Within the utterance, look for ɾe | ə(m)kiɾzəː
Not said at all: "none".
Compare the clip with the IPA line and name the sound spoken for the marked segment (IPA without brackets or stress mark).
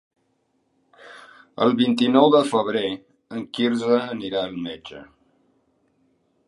ŋ